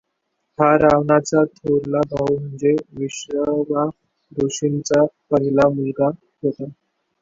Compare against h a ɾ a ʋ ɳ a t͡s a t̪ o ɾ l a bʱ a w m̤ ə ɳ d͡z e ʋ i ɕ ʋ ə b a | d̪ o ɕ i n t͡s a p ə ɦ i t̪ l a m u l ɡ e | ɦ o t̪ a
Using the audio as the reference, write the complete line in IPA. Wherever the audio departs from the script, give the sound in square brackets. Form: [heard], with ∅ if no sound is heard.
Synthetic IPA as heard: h a ɾ a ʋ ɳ a t͡s a [t̪ʰ] o ɾ l a bʱ a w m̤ ə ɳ d͡z e ʋ i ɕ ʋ ə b a | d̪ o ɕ i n t͡s a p ə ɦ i [∅] l a m u l ɡ [a] | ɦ o t̪ a

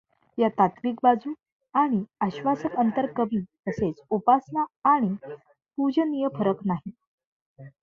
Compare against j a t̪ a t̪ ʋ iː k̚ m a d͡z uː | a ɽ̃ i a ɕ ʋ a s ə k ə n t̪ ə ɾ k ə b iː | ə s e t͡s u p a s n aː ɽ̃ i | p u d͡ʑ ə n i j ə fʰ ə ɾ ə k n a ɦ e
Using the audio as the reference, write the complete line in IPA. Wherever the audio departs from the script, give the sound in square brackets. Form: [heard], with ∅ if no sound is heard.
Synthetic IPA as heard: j a t̪ a t̪ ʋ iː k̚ [b] a d͡z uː | a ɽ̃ i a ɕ ʋ a s ə k ə n t̪ ə ɾ k ə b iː | ə s e t͡s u p a s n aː ɽ̃ i | p u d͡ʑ ə n i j ə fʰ ə ɾ ə k n a ɦ [i]

